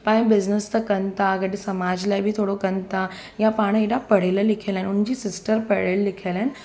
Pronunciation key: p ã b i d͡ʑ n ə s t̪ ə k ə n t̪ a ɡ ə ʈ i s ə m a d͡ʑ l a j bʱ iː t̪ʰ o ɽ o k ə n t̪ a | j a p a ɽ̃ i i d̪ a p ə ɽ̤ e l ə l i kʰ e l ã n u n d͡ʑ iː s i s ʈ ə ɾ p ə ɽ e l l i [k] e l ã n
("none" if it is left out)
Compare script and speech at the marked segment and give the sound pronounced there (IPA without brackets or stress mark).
kʰ